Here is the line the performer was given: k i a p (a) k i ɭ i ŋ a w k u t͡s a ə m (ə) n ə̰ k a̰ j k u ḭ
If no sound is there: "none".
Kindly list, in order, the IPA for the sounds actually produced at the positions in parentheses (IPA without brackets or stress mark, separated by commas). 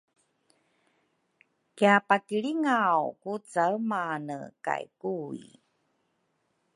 a, a